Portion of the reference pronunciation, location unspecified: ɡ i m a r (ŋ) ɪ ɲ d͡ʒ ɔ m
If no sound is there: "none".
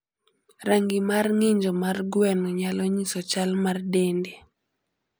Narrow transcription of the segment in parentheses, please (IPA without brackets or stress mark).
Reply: ŋ